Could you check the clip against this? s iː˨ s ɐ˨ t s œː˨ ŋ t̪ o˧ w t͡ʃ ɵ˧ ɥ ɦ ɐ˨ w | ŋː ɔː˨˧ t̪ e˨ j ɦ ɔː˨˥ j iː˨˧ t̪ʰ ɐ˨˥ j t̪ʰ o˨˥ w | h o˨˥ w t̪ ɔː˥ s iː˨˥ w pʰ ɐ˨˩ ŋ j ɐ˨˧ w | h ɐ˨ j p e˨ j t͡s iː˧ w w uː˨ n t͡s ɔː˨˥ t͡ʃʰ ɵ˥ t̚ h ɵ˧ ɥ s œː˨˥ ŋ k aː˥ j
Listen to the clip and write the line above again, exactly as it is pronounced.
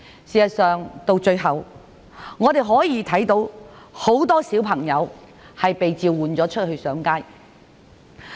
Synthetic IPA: s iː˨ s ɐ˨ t s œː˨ ŋ t̪ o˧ w t͡ʃ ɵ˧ ɥ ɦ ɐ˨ w | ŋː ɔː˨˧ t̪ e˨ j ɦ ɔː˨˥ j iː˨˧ t̪ʰ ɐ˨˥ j t̪ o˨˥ w | h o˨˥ w t̪ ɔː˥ s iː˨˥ w pʰ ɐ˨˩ ŋ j ɐ˨˧ w | h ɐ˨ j p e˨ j t͡s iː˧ w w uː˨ n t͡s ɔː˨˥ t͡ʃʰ ɵ˥ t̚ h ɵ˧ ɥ s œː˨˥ ŋ k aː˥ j